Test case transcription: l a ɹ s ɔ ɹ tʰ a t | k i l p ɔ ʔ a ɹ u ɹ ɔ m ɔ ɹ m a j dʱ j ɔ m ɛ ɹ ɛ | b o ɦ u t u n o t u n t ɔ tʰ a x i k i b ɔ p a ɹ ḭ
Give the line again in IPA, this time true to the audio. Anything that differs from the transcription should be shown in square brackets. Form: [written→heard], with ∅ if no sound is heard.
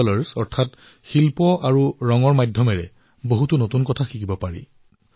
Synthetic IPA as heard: l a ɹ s ɔ ɹ tʰ a t | [k→x] i l p ɔ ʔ a ɹ u ɹ ɔ [m→ŋ] ɔ ɹ m a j dʱ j ɔ m ɛ ɹ ɛ | b o ɦ u t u n o t u n [t→k] ɔ tʰ a x i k i b ɔ p a ɹ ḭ